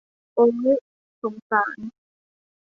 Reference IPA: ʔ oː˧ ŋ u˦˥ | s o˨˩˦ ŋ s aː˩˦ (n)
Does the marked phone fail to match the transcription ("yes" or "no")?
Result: no